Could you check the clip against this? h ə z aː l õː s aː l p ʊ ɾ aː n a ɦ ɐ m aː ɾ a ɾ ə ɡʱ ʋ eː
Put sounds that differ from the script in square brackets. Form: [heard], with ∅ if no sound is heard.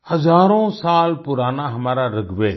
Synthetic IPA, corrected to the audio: h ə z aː [ɾ] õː s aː l p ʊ ɾ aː n a ɦ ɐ m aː ɾ a ɾ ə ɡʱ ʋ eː